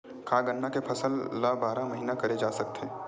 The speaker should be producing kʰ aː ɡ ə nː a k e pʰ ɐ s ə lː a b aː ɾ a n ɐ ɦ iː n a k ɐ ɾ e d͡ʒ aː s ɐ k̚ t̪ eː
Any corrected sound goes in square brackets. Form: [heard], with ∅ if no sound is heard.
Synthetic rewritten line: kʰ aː ɡ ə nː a k e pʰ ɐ s ə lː a b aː ɾ a [m] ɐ ɦ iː n a k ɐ ɾ e d͡ʒ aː s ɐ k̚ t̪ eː